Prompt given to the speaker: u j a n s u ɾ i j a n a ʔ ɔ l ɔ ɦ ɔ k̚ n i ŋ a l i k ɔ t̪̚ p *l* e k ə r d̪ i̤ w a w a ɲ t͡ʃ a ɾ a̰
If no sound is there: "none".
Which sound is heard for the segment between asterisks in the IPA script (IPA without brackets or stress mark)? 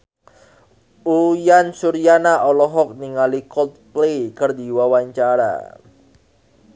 l